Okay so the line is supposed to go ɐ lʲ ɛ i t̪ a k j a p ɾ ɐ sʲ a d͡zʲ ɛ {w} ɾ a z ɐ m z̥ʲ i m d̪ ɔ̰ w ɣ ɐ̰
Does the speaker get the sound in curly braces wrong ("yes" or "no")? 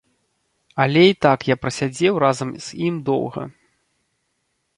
no